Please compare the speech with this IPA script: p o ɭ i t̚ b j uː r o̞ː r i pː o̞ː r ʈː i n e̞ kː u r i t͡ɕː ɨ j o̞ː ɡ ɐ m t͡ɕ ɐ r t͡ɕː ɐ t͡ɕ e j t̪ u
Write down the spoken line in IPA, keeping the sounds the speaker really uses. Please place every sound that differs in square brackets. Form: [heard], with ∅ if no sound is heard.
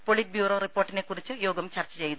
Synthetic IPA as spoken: p o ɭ i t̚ b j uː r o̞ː r i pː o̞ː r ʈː i n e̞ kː u r i t͡ɕː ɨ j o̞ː ɡ ɐ m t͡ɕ ɐ r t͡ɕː ɐ t͡ɕ e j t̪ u